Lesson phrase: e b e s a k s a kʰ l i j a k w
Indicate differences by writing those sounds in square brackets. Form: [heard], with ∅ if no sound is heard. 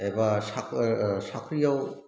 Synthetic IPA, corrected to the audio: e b [a] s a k s a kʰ [ɾ] i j a [∅] w

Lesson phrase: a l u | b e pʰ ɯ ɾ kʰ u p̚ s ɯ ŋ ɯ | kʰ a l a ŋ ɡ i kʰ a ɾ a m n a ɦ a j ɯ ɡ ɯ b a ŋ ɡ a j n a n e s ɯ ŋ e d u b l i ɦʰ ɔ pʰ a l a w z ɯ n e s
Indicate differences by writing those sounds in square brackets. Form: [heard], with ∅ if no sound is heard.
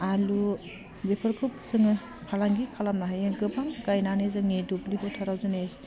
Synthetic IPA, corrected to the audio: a l u | b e pʰ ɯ ɾ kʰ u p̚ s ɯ ŋ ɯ | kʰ a l a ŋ ɡ i kʰ a [l] a m n a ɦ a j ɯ ɡ ɯ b a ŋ ɡ a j n a n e [z] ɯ ŋ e d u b l i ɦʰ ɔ [tʰ] a [ɾ] a w z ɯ n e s

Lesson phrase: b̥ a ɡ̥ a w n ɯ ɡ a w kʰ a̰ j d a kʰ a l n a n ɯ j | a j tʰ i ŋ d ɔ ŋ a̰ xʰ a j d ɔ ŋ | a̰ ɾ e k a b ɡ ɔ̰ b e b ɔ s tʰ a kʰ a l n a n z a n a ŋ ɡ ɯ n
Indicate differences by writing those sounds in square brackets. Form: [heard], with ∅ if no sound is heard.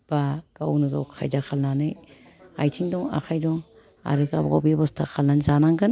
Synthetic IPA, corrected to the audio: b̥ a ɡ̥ a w n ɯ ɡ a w kʰ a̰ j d a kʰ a l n a n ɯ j | a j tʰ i ŋ d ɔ ŋ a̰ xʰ a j d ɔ ŋ | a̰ ɾ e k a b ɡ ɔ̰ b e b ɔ s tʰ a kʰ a l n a n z a n a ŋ ɡ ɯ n

